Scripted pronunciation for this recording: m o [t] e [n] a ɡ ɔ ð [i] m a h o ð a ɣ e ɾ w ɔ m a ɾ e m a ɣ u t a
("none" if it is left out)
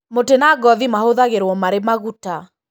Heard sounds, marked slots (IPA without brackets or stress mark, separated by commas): t, n, i